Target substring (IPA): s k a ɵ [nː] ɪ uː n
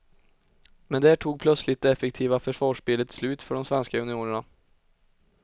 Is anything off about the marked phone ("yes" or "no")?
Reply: yes